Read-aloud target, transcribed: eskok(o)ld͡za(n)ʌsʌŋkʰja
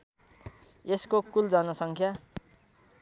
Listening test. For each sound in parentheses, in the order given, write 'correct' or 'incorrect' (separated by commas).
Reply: incorrect, correct